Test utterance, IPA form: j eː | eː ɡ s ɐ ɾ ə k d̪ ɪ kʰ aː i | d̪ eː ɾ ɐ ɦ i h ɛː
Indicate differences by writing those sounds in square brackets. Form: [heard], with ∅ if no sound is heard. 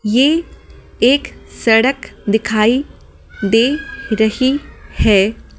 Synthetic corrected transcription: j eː | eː [k] s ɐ [ɽ] ə k d̪ ɪ kʰ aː i | d̪ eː ɾ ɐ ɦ i h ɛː